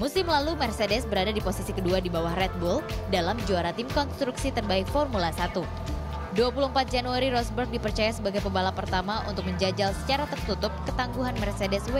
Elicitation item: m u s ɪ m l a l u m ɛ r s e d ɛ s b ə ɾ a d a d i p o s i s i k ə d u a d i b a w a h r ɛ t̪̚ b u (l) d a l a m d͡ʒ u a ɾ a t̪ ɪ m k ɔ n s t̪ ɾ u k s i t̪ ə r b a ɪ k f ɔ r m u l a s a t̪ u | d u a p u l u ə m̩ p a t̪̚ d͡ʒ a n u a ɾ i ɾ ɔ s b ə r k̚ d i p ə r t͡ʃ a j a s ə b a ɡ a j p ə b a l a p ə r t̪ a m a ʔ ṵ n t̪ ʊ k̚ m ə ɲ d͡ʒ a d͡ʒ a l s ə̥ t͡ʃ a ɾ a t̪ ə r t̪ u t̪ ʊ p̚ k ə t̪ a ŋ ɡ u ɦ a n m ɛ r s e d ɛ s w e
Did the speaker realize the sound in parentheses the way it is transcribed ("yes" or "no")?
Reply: yes